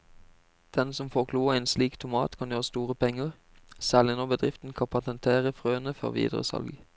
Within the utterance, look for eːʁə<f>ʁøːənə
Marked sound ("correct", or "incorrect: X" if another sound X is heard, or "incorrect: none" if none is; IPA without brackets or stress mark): correct